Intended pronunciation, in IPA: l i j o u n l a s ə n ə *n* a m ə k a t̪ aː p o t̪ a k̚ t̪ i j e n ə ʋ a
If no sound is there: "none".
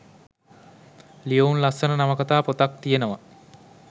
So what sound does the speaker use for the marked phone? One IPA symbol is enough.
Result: n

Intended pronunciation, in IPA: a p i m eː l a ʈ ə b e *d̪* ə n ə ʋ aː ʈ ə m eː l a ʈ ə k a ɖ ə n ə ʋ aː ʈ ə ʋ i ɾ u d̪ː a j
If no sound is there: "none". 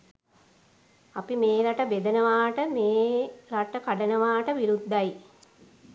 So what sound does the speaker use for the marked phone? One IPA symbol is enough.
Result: d̪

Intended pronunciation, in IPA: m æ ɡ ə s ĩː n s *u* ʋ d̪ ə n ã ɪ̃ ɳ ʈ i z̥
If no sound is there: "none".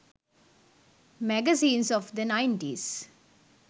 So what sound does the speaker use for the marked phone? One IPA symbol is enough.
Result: ɔ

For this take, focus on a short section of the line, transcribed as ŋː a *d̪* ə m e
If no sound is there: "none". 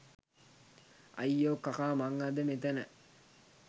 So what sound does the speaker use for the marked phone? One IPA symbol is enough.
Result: d̪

